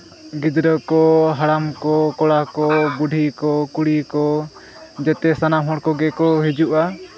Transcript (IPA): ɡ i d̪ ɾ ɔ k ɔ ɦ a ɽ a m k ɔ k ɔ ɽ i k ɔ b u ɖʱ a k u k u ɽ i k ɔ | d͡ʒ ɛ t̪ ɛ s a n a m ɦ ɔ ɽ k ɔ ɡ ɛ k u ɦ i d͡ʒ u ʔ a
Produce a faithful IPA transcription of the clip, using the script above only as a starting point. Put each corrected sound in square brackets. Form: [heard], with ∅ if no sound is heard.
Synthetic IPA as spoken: ɡ i d̪ ɾ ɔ k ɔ ɦ a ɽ a m k ɔ k ɔ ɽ [a] k ɔ b u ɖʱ [i] k [ɔ] k u ɽ i k ɔ | d͡ʒ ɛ t̪ ɛ s a n a m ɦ ɔ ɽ k ɔ ɡ ɛ k [ɔ] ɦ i d͡ʒ u ʔ a